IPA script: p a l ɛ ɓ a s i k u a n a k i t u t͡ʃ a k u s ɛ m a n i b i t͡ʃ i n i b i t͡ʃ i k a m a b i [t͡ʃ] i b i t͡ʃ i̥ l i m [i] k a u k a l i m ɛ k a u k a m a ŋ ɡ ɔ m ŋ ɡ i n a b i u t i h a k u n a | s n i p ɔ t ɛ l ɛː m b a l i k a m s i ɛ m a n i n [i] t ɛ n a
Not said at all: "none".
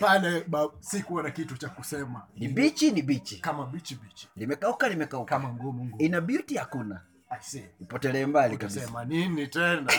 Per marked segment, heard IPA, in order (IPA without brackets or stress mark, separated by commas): t͡ʃ, ɛ, i